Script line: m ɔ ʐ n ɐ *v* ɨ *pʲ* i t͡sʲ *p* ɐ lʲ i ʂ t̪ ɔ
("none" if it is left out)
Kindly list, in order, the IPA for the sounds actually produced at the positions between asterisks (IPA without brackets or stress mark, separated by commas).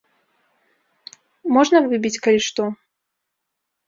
v, bʲ, k